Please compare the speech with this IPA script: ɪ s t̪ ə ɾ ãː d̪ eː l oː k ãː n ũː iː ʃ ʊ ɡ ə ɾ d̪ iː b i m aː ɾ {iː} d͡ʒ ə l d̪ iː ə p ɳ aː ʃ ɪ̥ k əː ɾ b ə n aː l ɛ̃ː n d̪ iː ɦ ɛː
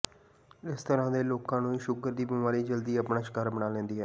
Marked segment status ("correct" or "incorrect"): correct